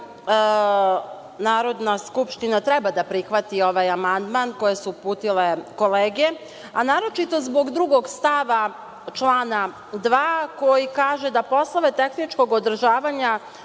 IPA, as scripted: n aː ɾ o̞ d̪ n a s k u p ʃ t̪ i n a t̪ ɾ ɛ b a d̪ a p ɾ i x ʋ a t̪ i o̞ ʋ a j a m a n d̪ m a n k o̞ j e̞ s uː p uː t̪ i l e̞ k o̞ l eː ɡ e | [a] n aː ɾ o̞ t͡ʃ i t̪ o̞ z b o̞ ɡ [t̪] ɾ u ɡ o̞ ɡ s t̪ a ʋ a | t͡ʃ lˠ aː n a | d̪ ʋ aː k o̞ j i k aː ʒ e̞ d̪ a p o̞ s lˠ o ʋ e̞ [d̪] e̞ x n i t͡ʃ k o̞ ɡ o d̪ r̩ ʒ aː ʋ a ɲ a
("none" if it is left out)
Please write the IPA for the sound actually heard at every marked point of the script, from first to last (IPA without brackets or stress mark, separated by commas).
a, d̪, t̪